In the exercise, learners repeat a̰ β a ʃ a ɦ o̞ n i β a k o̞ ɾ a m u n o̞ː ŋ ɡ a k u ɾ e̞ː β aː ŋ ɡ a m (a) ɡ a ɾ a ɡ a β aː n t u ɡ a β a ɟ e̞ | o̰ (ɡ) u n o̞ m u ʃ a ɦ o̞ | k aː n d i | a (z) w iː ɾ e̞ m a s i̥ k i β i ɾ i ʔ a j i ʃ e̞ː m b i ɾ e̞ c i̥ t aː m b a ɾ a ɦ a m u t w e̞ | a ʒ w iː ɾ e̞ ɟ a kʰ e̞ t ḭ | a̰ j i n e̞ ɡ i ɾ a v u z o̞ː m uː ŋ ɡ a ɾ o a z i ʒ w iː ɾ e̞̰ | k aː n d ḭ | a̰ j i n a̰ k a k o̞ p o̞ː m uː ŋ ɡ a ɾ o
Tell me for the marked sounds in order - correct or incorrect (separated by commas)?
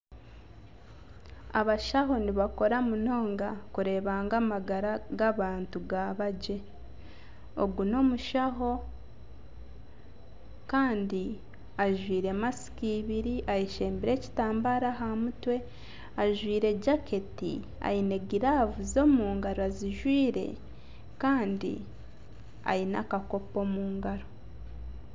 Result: correct, correct, incorrect